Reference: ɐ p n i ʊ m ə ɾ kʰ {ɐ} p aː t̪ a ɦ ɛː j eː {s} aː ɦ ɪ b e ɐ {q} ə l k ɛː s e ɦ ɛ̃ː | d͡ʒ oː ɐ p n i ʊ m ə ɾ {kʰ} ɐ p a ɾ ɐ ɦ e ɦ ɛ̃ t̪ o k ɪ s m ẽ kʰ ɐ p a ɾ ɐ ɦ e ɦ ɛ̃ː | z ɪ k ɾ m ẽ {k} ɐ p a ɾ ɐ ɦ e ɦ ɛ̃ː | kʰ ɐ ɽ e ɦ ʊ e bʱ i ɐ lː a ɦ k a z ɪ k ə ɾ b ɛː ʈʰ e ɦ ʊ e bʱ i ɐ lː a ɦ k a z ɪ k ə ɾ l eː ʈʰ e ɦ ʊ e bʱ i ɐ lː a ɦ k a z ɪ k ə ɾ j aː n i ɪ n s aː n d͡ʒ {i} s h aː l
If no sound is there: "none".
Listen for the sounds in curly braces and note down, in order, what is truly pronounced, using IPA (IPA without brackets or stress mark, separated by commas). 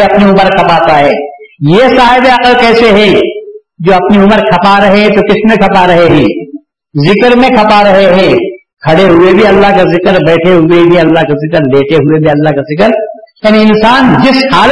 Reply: ɐ, s, q, kʰ, kʰ, ɪ